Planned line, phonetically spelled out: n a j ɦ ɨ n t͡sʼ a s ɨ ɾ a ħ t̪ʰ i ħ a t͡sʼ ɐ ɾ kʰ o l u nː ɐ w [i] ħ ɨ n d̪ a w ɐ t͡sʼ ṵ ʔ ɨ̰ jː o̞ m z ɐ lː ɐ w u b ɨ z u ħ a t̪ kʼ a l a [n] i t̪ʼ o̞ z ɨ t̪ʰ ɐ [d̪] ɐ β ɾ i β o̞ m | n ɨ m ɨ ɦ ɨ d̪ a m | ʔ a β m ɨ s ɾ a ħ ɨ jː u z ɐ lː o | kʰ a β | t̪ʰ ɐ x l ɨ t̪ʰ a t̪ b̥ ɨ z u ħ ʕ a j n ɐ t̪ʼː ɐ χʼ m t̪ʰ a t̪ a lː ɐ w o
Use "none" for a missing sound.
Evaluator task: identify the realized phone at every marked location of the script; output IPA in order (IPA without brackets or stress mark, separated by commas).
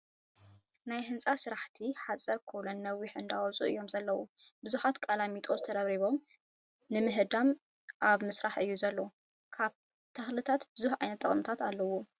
i, m, d̪